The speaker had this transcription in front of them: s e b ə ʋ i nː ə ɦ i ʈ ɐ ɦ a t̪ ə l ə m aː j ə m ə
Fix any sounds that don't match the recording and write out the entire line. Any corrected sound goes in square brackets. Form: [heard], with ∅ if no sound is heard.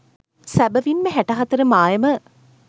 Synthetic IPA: s [æ] b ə ʋ i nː ə ɦ [æ] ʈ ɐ ɦ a t̪ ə [ɾ] ə m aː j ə m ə